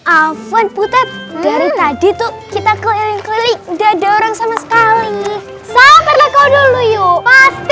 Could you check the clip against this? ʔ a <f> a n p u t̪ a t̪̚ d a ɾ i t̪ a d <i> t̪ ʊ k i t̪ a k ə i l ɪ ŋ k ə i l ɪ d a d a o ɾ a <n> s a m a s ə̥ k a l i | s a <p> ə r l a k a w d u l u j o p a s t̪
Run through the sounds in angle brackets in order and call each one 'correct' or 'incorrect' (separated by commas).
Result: correct, correct, incorrect, correct